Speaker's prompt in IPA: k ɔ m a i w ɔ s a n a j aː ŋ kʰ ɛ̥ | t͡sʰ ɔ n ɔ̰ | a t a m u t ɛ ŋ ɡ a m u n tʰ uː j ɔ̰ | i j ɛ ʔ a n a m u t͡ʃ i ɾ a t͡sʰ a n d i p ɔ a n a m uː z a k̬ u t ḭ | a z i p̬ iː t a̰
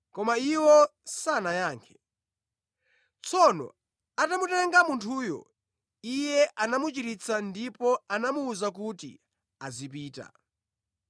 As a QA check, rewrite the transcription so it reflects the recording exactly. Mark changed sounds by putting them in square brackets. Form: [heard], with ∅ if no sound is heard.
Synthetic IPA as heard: k ɔ m a i w ɔ s a n a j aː ŋ kʰ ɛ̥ | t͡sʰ ɔ n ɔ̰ | a t a m u t ɛ ŋ ɡ a m u n tʰ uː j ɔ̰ | i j ɛ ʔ a n a m u t͡ʃ i ɾ [i] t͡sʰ a n d i p ɔ a n a m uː z a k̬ u t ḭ | a z i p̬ iː t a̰